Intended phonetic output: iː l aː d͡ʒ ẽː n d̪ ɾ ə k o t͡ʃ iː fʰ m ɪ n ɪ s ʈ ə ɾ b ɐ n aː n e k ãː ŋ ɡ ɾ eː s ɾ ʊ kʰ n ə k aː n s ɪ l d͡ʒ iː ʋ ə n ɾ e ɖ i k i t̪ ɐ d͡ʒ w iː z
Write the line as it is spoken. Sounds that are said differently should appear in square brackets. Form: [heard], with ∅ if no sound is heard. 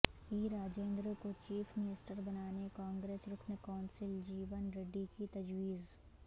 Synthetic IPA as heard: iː [ɾ] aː d͡ʒ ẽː n d̪ ɾ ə k o t͡ʃ iː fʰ m ɪ n ɪ s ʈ ə ɾ b ɐ n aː n e k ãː ŋ ɡ ɾ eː s ɾ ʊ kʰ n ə k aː n s ɪ l d͡ʒ iː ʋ ə n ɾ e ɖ i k i t̪ ɐ d͡ʒ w iː z